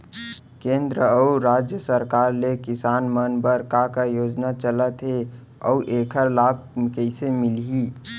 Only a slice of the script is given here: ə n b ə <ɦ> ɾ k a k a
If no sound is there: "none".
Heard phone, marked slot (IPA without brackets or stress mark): none